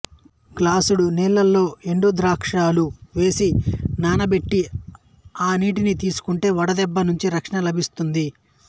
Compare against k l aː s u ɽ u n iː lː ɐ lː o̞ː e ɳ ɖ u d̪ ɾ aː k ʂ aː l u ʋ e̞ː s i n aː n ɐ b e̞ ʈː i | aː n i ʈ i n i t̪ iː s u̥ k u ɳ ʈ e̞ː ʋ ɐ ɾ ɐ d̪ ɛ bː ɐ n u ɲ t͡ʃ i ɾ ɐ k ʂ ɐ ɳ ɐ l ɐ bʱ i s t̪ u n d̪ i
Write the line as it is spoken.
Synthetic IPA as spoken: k l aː s u ɽ u n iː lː ɐ lː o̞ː e ɳ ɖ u d̪ ɾ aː k ʂ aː l u ʋ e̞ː s i n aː n ɐ b e̞ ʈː i | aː n iː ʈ i n i t̪ iː s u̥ k u ɳ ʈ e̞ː ʋ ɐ ɽ ɐ d̪ ɛ bː ɐ n u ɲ t͡ʃ i ɾ ɐ k ʂ ɐ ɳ ɐ l ɐ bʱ i s t̪ u n d̪ i

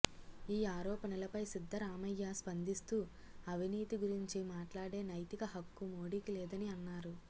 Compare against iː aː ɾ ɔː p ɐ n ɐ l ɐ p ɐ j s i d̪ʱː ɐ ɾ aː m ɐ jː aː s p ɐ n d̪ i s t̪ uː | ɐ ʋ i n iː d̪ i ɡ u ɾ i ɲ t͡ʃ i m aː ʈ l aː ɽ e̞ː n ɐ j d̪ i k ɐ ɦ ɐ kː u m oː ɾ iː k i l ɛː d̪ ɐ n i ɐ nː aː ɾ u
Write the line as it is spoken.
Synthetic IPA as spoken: iː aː ɾ ɔː p ɐ n ɐ l ɐ p ɐ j s i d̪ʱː ɐ ɾ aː m ɐ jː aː s p ɐ n d̪ i s t̪ uː | ɐ ʋ i n iː t̪ i ɡ u ɾ i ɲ t͡ʃ i m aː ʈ l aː ɽ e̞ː n ɐ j t̪ i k ɐ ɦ ɐ kː u m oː ɽ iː k i l ɛː d̪ ɐ n i ɐ nː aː ɾ u

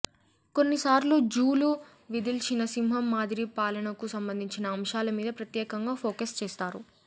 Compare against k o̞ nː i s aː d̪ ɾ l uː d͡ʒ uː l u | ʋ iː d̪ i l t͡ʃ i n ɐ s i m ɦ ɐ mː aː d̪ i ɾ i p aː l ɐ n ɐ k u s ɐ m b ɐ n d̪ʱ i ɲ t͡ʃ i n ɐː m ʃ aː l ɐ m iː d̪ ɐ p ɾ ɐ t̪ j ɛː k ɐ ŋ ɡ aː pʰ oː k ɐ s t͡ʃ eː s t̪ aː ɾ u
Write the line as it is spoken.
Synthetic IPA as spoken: k o̞ nː i s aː ɾ l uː d͡ʒ uː l u | ʋ i d̪ i l t͡ʃ i n ɐ s i m ɦ ɐ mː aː d̪ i ɾ i p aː l ɐ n ɐ k u s ɐ m b ɐ n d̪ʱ i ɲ t͡ʃ i n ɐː m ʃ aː l ɐ m iː d̪ ɐ p ɾ ɐ t̪ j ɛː k ɐ ŋ ɡ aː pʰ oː k ɐ s t͡ʃ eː s t̪ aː ɾ u

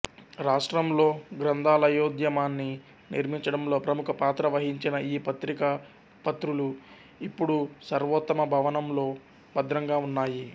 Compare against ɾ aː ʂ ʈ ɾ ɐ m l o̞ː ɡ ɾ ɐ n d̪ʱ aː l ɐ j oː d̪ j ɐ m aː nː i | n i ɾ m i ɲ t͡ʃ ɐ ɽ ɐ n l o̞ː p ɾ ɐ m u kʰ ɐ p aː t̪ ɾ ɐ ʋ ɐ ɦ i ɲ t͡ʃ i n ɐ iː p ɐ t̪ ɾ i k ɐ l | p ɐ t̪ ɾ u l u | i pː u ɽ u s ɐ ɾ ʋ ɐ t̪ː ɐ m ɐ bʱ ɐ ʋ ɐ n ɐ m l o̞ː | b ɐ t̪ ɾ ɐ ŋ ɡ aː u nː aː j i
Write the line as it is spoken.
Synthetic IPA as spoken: ɾ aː ʂ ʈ ɾ ɐ m l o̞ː ɡ ɾ ɐ n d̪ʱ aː l ɐ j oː d̪ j ɐ m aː nː i | n i ɾ m i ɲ t͡ʃ ɐ ɽ ɐ m l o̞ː p ɾ ɐ m u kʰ ɐ p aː t̪ ɾ ɐ ʋ ɐ ɦ i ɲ t͡ʃ i n ɐ iː p ɐ t̪ ɾ i k ɐ | p ɐ t̪ ɾ u l u | i pː u ɽ u s ɐ ɾ ʋ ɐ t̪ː ɐ m ɐ bʱ ɐ ʋ ɐ n ɐ m l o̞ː | b ɐ d̪ ɾ ɐ ŋ ɡ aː u nː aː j i

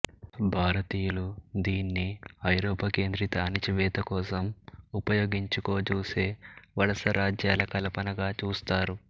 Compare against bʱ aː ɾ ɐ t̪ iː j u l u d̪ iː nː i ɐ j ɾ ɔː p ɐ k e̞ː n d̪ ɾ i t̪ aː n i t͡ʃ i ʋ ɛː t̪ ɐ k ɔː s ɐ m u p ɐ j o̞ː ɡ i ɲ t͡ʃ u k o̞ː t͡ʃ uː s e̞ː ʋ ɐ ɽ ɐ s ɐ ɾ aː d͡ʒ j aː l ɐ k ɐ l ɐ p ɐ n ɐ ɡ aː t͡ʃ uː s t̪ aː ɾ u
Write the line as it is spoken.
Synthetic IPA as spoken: bʱ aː ɾ ɐ t̪ iː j u l u d̪ iː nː i ɐ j ɾ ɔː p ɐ k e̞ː n d̪ ɾ i t̪ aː n i t͡ʃ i ʋ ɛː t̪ ɐ k ɔː s ɐ m u p ɐ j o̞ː ɡ i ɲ t͡ʃ u k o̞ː t͡ʃ uː s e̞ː ʋ ɐ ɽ ɐ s ɐ ɾ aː d͡ʒ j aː l ɐ k ɐ l ɐ p ɐ n ɐ ɡ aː t͡ʃ uː s t̪ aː ɾ u

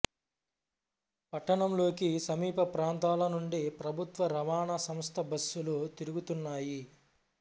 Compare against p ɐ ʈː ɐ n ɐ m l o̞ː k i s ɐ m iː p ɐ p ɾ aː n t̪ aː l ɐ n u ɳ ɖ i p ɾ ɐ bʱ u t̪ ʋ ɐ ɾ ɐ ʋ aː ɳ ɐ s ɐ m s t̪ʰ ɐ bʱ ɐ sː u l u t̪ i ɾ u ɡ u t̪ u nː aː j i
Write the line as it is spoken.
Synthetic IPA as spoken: p ɐ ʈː ɐ ɳ ɐ m l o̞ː k i s ɐ m iː p ɐ p ɾ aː n t̪ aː l ɐ n u ɳ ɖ i p ɾ ɐ bʱ u t̪ ʋ ɐ ɾ ɐ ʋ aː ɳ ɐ s ɐ m s t̪ʰ ɐ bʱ ɐ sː u l u t̪ i ɾ u ɡ u t̪ u nː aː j i

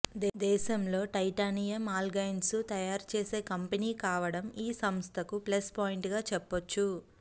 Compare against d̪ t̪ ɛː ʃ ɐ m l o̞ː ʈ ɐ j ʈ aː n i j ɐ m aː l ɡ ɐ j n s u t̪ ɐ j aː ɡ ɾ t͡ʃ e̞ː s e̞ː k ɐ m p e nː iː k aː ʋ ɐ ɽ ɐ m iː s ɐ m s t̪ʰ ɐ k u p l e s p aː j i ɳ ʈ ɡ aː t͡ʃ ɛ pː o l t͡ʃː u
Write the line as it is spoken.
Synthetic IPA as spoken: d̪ d̪ ɛː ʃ ɐ m l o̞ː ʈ ɐ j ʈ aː n i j ɐ m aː l ɡ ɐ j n s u t̪ ɐ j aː ɾ t͡ʃ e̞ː s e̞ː k ɐ m p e n iː k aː ʋ ɐ ɽ ɐ m iː s ɐ m s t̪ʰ ɐ k u p l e s p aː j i ɳ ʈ ɡ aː t͡ʃ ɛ pː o t͡ʃː u

